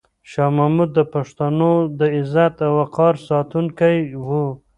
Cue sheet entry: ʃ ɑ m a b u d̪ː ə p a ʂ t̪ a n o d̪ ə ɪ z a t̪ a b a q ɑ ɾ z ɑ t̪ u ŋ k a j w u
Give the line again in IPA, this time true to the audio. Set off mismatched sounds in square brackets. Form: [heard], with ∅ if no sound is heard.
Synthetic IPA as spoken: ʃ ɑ m a [m] u d̪ː ə p a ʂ t̪ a n o d̪ ə ɪ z a t̪ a [w] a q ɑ ɾ [s] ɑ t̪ u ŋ k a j w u